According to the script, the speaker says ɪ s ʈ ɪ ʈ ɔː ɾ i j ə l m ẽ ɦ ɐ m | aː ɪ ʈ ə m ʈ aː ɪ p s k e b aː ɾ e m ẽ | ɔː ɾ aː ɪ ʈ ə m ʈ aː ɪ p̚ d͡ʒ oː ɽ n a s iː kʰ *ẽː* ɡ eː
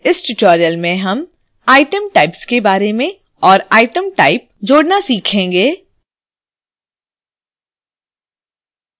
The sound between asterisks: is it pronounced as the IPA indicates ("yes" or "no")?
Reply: yes